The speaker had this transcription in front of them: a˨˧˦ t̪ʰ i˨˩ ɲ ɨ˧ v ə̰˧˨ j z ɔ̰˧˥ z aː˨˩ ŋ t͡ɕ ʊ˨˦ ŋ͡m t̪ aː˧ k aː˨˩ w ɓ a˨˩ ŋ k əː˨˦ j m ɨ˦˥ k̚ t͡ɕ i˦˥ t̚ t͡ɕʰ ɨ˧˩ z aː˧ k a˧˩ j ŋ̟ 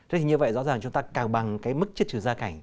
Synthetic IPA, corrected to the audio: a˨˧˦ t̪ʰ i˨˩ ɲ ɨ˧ v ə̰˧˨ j z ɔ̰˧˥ z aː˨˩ ŋ t͡ɕ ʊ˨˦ ŋ͡m t̪ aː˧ k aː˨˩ w ɓ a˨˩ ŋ k aː˨˦ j m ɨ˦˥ k̚ t͡ɕ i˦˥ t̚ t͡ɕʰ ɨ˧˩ z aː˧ k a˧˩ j ŋ̟